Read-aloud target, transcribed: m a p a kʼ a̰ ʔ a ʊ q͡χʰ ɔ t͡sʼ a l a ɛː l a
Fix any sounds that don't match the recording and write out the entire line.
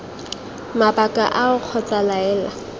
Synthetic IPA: m a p a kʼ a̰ ʔ a ʊ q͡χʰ ɔ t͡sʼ a l a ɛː l a